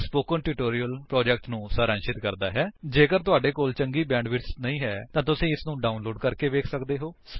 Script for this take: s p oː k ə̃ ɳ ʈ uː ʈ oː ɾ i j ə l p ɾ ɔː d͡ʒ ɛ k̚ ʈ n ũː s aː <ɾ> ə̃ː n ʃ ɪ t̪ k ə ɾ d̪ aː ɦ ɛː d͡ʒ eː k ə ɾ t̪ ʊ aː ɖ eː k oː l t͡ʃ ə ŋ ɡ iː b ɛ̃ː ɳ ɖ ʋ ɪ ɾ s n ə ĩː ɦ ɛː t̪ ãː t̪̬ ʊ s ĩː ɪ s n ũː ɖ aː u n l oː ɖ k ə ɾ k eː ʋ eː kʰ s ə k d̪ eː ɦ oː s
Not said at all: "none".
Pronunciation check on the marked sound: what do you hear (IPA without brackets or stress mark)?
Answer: ɾ